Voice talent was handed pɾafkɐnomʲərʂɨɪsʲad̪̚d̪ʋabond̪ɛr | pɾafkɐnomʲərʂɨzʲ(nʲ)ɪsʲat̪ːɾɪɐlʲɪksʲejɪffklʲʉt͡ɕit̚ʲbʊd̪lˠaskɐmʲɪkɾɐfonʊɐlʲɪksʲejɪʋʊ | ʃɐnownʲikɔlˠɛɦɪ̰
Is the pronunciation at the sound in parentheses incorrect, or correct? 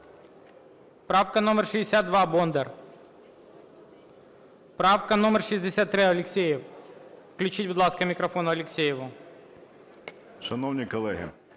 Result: incorrect